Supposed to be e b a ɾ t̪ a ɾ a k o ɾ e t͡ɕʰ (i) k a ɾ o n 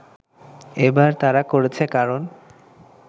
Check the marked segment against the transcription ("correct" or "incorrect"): incorrect